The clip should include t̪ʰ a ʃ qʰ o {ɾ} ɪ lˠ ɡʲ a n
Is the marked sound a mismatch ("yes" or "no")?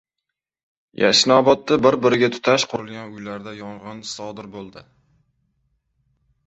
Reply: no